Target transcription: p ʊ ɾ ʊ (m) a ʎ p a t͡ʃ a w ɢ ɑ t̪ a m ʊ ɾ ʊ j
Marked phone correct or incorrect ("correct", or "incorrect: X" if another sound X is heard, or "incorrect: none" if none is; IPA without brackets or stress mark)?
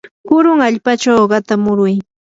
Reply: incorrect: ŋ